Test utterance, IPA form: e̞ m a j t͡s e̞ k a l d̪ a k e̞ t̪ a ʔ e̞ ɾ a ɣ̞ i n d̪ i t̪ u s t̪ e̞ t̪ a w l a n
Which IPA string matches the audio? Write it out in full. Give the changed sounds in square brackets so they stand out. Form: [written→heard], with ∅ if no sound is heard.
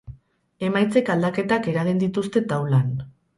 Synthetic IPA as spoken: e̞ m a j t͡s e̞ k a l d̪ a k e̞ t̪ a [ʔ→k] e̞ ɾ a ɣ̞ i n d̪ i t̪ u s t̪ e̞ t̪ a w l a n